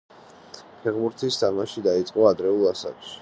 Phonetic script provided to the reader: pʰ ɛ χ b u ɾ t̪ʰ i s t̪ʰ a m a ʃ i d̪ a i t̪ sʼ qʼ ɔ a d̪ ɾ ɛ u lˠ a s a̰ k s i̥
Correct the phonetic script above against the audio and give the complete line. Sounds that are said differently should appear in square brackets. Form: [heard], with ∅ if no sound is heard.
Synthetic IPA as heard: pʰ ɛ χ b u ɾ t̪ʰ i s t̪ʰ a m a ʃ i d̪ a i t̪ sʼ qʼ ɔ a d̪ ɾ ɛ u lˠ a s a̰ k [ʃ] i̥